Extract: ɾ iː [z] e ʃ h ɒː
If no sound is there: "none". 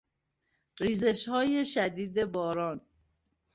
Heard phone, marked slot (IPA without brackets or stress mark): z